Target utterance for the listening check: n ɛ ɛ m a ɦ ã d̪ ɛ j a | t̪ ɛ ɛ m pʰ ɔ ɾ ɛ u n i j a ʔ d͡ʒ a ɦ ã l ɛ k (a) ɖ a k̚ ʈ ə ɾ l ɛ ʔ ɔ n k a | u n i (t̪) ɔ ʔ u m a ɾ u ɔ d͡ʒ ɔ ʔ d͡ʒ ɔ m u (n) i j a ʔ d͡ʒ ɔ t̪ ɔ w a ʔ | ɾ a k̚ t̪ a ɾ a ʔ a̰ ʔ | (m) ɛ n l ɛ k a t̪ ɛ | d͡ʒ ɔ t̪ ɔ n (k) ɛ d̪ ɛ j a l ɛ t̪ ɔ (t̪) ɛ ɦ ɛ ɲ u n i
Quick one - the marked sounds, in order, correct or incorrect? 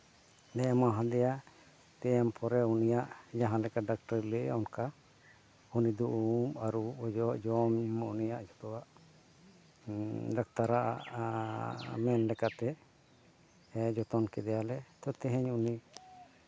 correct, incorrect, correct, correct, correct, correct

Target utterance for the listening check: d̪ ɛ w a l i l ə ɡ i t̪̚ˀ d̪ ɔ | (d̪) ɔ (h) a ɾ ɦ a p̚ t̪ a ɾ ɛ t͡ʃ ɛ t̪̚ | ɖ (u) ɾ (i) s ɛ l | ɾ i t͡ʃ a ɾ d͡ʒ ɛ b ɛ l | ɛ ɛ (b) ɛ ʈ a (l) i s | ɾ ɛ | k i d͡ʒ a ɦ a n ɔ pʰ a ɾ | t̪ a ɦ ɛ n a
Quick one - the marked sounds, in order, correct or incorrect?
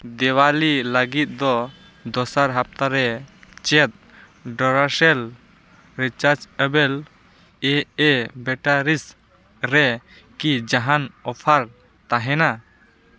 correct, incorrect, incorrect, incorrect, correct, incorrect

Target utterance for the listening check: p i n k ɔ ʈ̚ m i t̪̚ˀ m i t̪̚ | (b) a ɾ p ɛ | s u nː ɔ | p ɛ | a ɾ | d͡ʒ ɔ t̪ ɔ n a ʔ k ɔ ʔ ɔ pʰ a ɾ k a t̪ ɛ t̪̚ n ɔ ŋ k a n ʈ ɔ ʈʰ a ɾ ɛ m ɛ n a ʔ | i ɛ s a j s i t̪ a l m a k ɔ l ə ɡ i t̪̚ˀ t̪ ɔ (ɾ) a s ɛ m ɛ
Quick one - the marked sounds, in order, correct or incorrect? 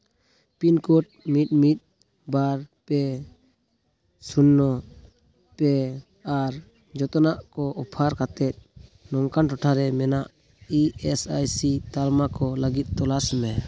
correct, incorrect

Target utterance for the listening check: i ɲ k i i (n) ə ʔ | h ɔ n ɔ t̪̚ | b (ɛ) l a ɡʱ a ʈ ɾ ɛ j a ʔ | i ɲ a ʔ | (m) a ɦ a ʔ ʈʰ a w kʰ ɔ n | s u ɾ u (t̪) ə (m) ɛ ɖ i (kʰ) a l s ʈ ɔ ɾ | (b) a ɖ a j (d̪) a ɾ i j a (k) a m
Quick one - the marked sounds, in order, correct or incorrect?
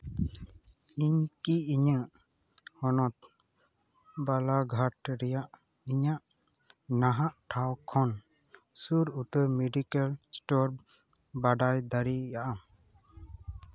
incorrect, incorrect, incorrect, correct, correct, incorrect, correct, correct, incorrect

